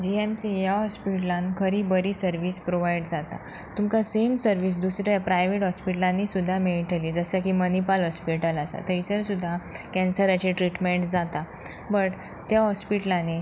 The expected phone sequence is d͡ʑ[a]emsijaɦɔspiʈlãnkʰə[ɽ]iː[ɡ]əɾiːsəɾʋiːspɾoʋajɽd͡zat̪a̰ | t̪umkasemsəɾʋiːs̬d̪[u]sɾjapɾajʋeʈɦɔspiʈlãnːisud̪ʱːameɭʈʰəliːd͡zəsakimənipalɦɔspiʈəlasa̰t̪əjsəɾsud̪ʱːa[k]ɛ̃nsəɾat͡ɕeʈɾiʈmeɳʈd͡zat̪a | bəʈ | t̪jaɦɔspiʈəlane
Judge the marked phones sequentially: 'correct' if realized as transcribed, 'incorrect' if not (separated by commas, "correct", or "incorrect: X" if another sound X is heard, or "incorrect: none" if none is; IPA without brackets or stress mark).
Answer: incorrect: i, incorrect: ɾ, incorrect: b, correct, correct